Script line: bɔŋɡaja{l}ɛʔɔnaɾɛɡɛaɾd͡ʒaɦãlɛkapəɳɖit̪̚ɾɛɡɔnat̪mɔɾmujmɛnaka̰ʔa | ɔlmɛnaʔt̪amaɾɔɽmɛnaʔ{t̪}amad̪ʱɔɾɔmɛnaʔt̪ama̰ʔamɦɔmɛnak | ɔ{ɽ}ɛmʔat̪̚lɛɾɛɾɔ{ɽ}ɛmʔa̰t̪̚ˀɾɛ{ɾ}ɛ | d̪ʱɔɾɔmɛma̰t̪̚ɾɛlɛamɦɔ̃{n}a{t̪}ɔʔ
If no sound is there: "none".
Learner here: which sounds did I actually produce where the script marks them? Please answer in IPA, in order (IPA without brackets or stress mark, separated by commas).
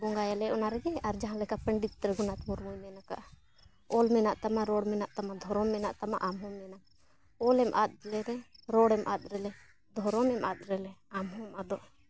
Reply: l, t̪, l, ɽ, l, m, d̪